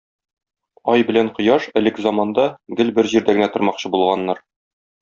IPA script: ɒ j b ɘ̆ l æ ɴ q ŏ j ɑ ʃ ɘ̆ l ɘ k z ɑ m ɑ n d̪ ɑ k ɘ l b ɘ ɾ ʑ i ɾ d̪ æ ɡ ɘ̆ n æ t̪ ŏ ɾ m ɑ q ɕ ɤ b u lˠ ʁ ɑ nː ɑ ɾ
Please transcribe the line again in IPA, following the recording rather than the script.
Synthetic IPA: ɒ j b ɘ̆ l æ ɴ q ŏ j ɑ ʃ ɘ̆ l ɘ k z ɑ m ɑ n d̪ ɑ ɡ ɘ l b ɘ ɾ ʑ i ɾ d̪ æ ɡ ɘ̆ n æ t̪ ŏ ɾ m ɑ q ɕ ɤ b u lˠ ʁ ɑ nː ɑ ɾ